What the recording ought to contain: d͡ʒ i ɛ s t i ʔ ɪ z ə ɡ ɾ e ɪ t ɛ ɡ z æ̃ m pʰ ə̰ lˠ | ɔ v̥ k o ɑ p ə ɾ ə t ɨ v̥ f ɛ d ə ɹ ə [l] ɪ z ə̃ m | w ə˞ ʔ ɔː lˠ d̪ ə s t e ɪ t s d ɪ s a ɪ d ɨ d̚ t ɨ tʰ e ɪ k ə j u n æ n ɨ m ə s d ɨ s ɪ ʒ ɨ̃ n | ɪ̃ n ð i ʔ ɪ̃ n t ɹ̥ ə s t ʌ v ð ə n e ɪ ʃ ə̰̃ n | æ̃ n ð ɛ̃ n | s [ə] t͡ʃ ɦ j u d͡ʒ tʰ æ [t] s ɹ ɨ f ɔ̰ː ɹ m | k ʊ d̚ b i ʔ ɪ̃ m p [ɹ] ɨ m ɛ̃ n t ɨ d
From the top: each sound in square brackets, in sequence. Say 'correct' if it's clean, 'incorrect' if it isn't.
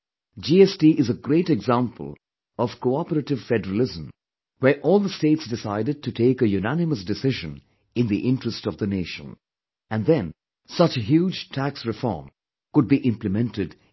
correct, incorrect: ʌ, incorrect: k, incorrect: l

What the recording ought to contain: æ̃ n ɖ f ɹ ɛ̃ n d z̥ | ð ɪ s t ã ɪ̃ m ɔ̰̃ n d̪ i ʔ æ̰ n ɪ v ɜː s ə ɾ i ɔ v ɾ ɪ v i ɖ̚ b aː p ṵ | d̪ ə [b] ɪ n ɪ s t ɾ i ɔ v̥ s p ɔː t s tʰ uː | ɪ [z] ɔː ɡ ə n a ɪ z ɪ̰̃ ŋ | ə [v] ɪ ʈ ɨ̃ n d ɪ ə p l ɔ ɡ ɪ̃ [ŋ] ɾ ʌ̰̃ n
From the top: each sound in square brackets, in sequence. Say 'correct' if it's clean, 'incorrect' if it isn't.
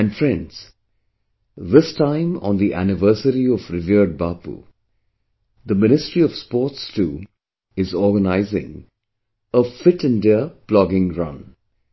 incorrect: m, correct, incorrect: f, correct

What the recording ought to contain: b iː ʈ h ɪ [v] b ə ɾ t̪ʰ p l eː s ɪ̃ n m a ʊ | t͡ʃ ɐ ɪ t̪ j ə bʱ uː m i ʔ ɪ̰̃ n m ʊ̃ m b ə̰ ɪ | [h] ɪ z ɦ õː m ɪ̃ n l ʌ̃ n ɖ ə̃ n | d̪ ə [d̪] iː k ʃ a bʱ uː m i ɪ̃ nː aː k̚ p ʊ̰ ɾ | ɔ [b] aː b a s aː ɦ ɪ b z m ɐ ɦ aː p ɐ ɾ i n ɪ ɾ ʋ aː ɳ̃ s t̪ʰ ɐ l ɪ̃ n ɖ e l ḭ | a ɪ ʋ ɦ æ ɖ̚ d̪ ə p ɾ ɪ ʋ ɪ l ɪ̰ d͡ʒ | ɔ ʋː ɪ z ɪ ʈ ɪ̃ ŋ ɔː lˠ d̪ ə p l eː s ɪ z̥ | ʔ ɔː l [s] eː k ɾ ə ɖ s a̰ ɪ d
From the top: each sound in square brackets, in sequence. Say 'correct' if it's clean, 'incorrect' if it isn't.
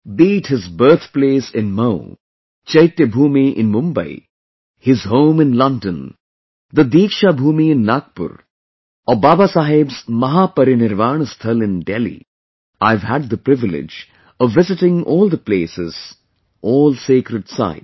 incorrect: z, correct, correct, correct, correct

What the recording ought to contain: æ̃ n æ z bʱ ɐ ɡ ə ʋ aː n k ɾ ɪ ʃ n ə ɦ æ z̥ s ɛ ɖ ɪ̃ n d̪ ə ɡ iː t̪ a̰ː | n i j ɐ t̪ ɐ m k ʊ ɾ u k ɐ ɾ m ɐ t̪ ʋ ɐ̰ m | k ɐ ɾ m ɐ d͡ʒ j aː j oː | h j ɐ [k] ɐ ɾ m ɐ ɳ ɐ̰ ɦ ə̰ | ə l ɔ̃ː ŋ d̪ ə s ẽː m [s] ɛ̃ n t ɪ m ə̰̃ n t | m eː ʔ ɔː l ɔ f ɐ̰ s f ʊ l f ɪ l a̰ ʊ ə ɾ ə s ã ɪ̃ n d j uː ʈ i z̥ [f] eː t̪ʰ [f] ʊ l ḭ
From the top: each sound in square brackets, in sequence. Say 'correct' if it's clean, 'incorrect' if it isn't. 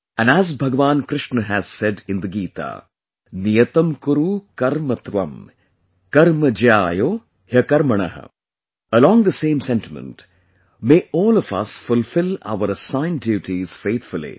correct, correct, correct, correct

